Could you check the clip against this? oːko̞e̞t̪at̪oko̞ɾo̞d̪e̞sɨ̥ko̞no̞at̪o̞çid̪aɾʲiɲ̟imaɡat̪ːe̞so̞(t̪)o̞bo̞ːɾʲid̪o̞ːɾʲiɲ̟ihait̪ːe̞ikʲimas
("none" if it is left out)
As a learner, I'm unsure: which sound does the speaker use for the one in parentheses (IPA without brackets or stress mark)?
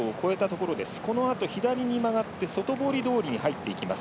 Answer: t̪